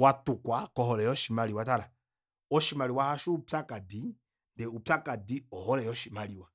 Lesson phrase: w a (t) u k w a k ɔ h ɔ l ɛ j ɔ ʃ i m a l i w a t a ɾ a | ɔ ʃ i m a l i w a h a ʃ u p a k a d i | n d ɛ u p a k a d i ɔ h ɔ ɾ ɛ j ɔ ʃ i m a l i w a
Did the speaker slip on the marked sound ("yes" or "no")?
no